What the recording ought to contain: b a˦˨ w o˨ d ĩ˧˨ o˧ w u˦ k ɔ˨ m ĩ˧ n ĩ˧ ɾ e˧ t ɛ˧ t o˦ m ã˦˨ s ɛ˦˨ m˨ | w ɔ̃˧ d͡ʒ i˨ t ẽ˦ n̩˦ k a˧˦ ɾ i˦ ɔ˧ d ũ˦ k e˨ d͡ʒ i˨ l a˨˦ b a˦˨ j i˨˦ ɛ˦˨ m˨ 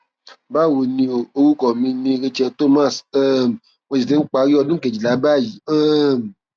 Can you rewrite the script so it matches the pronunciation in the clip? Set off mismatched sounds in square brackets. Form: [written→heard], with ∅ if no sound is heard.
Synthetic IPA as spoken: b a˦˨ w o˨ [d→n] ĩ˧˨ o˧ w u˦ k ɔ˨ m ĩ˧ n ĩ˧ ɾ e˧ [t→t͡ʃ] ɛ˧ t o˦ m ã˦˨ s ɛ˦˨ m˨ | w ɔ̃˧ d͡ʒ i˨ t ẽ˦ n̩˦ [k→k͡p] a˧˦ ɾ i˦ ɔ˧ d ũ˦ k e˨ d͡ʒ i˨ l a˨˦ b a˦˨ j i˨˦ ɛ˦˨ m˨